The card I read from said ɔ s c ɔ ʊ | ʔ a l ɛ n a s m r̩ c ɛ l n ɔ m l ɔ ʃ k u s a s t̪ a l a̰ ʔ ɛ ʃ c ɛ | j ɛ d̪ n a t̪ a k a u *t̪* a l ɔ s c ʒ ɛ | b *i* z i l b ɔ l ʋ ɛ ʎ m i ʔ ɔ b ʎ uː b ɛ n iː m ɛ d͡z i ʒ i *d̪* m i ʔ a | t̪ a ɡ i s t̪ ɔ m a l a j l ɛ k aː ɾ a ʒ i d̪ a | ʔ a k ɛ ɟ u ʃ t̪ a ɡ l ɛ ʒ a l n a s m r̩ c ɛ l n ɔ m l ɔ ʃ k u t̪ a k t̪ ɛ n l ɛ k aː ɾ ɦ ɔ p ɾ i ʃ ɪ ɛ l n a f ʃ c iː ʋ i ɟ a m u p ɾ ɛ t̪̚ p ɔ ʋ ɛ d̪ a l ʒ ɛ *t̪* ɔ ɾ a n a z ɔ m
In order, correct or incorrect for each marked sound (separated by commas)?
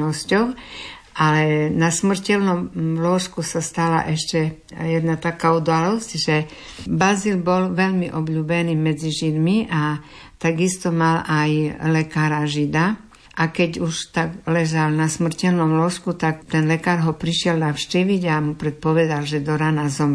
incorrect, incorrect, correct, incorrect